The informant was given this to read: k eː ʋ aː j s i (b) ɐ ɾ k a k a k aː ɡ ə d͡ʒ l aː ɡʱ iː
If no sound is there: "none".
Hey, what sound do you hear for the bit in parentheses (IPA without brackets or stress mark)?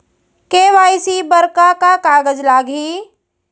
b